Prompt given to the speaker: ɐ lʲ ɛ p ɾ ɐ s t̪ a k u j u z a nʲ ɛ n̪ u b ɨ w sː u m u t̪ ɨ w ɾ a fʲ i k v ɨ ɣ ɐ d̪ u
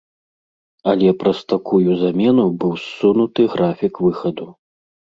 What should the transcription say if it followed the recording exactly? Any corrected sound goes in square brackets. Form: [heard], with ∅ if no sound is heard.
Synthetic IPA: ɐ lʲ ɛ p ɾ ɐ s t̪ a k u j u z a [mʲ] ɛ n̪ u b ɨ w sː u [n] u t̪ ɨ [ɣ] ɾ a fʲ i k v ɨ [x] ɐ d̪ u